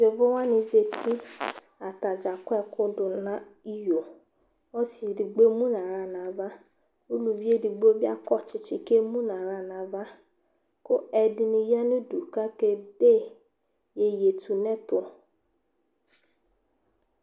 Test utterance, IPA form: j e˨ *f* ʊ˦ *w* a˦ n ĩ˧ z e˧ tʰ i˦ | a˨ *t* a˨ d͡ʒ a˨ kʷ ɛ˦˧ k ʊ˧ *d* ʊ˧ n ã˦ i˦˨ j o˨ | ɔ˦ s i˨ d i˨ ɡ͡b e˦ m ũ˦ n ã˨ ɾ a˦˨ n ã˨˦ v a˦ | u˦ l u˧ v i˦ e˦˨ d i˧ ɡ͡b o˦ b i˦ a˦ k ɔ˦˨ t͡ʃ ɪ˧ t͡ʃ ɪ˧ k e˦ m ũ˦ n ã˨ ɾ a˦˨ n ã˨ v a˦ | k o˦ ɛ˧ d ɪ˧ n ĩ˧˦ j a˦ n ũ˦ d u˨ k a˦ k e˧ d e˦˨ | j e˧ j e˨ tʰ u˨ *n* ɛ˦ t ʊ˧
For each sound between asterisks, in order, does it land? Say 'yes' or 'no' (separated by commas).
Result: no, yes, yes, yes, yes